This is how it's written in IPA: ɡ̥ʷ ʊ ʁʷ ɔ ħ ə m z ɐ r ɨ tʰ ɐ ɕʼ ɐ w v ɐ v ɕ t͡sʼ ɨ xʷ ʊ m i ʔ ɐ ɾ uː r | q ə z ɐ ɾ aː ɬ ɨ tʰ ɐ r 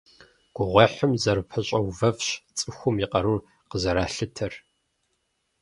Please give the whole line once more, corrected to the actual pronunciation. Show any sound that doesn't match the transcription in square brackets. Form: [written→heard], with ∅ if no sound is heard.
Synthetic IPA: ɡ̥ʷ ʊ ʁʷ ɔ ħ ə m z ɐ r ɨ [tʰ→pʰ] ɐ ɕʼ ɐ w v ɐ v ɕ t͡sʼ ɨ xʷ ʊ m i [ʔ→q] ɐ ɾ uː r | q ə z ɐ ɾ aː ɬ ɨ tʰ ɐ r